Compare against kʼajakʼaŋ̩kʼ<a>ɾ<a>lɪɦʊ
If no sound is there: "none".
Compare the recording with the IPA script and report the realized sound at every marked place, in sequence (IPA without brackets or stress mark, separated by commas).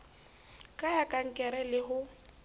ɛ, ɛ